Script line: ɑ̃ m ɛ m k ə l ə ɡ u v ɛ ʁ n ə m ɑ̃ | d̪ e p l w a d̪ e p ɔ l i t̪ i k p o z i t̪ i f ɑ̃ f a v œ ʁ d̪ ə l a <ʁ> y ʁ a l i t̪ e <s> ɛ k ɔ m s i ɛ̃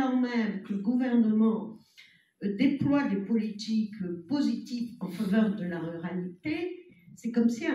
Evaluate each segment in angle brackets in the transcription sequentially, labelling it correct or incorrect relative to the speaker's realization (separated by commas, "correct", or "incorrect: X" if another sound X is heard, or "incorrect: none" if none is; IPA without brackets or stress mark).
correct, correct